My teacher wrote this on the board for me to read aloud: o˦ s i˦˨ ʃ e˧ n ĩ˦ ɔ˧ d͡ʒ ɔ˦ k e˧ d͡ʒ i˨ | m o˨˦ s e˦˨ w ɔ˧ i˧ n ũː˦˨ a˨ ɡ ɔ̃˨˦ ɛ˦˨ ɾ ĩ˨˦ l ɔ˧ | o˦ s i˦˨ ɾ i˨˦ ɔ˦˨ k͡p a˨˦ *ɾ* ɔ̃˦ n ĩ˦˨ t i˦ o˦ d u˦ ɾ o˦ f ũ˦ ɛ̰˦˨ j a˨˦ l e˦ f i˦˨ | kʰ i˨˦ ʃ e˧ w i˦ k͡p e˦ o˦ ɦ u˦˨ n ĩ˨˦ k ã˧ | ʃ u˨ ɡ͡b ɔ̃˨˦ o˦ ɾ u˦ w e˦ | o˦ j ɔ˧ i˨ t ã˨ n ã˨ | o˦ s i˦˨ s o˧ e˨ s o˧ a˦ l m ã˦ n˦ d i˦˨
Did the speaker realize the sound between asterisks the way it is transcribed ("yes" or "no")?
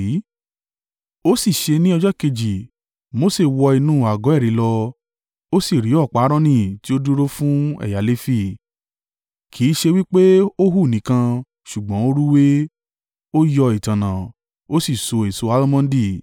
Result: yes